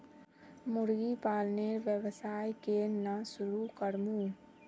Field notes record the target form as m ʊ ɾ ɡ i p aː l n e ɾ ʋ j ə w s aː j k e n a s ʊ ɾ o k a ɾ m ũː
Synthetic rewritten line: m ʊ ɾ ɡ i p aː l n e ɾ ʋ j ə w s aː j k e n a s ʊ ɾ u k ə ɾ m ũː